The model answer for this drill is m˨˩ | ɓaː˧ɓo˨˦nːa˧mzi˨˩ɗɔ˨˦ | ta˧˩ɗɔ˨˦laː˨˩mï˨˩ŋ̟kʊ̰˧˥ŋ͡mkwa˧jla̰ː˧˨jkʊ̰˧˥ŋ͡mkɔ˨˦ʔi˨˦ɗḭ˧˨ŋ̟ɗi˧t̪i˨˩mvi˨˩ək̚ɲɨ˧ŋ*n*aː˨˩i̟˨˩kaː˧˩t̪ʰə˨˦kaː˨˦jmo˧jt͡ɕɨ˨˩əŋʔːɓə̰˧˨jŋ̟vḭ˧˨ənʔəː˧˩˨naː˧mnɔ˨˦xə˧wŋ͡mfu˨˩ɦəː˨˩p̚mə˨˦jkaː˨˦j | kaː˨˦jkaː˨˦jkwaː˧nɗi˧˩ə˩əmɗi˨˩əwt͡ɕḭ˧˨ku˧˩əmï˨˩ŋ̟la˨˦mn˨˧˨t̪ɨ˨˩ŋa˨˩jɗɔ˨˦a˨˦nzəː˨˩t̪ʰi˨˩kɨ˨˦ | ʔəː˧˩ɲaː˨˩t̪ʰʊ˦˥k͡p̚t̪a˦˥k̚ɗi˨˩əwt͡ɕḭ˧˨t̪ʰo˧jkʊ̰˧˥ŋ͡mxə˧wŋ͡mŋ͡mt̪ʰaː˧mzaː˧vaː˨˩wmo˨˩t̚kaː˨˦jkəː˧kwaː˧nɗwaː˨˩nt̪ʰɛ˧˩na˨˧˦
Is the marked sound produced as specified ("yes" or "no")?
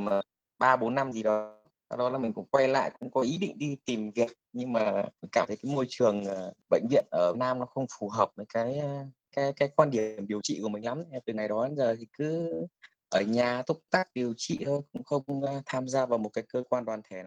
no